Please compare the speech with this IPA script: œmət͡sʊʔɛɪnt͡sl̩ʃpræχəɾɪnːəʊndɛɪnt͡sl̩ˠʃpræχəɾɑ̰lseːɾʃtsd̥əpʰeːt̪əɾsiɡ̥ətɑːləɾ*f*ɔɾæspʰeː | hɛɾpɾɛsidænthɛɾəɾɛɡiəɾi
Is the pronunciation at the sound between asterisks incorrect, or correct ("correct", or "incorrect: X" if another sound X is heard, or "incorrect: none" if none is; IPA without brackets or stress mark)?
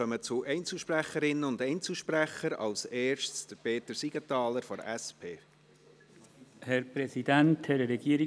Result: correct